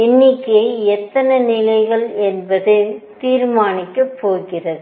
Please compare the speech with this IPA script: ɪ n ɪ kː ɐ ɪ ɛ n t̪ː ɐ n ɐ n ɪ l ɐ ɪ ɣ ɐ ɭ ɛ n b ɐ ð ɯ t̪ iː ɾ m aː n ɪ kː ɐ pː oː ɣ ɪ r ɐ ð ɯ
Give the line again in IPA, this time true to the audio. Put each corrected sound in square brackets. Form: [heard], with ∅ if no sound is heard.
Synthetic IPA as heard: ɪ [nː] ɪ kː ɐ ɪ ɛ [∅] t̪ː ɐ n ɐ n ɪ l ɐ ɪ ɣ ɐ ɭ ɛ n b ɐ ð ɯ t̪ iː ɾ m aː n ɪ kː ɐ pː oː ɣ ɪ r ɐ ð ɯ